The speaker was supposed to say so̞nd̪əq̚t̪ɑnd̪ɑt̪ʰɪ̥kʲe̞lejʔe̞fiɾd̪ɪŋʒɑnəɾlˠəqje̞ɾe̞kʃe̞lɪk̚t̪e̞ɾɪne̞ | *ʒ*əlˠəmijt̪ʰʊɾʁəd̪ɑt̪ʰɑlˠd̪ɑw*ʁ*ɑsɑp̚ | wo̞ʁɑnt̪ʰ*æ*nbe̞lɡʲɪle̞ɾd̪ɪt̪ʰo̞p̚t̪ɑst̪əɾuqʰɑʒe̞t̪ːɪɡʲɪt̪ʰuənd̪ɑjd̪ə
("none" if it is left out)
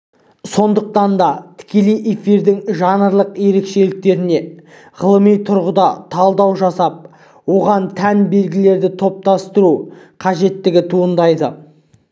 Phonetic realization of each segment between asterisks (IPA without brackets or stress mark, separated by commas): ʁ, ʒ, æ